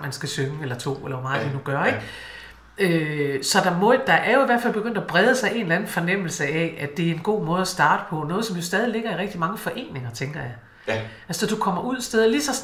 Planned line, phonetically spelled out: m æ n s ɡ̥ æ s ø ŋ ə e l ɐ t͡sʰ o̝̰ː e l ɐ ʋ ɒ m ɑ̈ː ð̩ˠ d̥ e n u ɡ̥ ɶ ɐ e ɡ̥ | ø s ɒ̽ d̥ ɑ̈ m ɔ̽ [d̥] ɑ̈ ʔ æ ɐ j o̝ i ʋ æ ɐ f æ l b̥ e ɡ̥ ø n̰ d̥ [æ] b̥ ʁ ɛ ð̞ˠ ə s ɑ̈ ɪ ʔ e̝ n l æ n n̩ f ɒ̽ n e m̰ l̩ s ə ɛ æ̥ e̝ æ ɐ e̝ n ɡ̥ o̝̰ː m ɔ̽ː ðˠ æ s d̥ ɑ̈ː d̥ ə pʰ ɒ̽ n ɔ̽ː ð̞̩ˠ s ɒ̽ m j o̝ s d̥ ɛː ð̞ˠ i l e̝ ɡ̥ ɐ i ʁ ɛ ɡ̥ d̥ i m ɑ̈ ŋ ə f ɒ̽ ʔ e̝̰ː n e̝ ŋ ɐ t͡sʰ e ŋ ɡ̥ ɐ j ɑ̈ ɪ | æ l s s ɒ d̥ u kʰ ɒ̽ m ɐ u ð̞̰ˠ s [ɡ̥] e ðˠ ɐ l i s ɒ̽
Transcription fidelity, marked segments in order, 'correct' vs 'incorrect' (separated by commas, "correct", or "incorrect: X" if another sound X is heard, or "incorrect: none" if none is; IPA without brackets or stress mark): correct, correct, incorrect: d̥